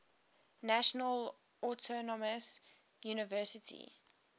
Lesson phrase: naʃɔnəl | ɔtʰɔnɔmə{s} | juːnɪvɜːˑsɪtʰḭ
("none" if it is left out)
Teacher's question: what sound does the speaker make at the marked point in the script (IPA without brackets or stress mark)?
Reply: s